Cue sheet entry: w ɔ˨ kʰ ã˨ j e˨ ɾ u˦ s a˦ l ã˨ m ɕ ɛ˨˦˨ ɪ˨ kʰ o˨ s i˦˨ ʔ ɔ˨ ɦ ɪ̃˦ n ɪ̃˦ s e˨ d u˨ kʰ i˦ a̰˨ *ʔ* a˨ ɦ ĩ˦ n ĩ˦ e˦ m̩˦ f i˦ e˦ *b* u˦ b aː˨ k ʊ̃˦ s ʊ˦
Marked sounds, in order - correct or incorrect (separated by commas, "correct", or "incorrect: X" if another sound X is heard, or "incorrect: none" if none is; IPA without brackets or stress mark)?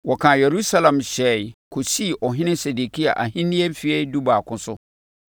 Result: correct, incorrect: d